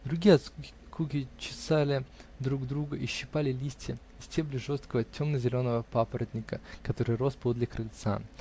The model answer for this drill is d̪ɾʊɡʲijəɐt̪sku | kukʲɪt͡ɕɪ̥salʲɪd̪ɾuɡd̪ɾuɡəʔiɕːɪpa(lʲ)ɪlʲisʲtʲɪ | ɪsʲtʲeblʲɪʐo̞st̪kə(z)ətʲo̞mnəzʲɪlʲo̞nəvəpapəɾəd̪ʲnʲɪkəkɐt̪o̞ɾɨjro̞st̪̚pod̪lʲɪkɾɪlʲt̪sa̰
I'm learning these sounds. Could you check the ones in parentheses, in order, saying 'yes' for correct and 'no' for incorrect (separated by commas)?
yes, no